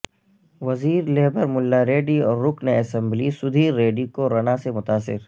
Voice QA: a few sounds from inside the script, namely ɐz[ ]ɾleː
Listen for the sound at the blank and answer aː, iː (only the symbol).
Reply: iː